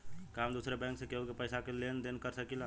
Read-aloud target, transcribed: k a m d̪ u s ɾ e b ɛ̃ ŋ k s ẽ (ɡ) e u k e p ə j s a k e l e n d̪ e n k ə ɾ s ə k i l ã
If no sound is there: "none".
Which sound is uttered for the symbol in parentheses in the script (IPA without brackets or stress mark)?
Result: k